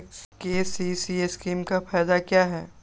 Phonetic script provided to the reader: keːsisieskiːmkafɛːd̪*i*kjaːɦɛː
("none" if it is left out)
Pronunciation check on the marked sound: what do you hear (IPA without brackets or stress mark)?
a